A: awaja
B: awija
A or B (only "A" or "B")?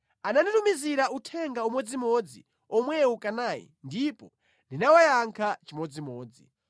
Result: A